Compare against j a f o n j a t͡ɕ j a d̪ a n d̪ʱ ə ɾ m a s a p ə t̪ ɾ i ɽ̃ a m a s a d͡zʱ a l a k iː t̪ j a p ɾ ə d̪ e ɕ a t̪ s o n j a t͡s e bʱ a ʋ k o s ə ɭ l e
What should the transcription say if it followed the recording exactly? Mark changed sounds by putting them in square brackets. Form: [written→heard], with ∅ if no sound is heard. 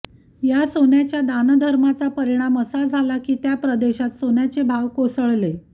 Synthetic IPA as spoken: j a [f→s] o n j a t͡ɕ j a d̪ a n d̪ʱ ə ɾ m a [s→t͡s] a p ə [t̪→∅] ɾ i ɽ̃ a m [a→ə] s a d͡zʱ a l a k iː t̪ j a p ɾ ə d̪ e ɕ a t̪ s o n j a t͡s e bʱ a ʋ k o s ə ɭ l e